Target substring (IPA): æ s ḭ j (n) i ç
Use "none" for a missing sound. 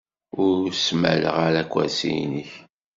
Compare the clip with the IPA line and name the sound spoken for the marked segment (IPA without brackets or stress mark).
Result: n